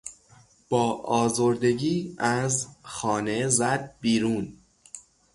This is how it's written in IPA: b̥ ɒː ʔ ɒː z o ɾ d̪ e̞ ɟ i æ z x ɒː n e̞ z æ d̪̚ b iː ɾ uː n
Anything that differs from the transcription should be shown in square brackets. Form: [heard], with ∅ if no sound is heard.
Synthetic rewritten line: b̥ ɒː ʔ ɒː z o ɾ d̪ e̞ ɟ [iː] æ z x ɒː n e̞ z æ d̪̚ b iː ɾ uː n

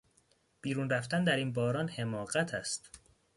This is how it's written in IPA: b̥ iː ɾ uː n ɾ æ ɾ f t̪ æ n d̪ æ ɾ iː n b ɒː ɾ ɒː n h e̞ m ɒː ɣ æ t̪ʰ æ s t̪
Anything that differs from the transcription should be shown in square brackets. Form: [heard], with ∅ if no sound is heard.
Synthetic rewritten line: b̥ iː ɾ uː n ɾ æ [∅] f t̪ æ n d̪ æ ɾ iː n b ɒː ɾ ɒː n h e̞ m ɒː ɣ æ t̪ʰ æ s t̪

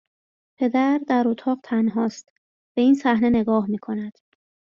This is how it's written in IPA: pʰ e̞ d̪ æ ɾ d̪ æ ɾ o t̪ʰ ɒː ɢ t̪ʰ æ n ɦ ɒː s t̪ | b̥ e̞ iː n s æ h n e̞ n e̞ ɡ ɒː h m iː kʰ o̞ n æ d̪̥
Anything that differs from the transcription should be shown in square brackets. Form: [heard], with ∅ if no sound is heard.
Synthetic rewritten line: pʰ e̞ d̪ æ ɾ d̪ æ ɾ o t̪ʰ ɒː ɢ t̪ʰ æ n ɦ ɒː s t̪ | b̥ e̞ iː n s æ h n e̞ n e̞ ɡ ɒː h m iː kʰ o̞ n æ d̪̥

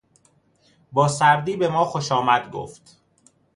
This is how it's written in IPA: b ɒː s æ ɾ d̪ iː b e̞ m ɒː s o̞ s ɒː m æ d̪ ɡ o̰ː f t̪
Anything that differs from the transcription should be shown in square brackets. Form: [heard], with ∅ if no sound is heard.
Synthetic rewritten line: b ɒː s æ ɾ d̪ iː b e̞ m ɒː [x] o̞ [ʃ] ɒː m æ d̪ ɡ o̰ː f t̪

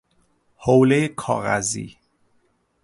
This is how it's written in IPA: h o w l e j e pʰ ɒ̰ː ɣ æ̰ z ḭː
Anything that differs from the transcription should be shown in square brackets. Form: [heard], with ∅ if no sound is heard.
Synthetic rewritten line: h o w l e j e [kʰ] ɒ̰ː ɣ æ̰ z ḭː

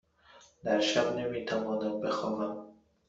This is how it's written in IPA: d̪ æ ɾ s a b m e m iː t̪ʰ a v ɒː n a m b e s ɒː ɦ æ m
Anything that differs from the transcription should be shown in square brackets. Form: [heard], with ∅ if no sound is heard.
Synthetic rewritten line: d̪ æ ɾ [ʃ] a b [n] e m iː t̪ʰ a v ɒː n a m b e [x] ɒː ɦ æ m

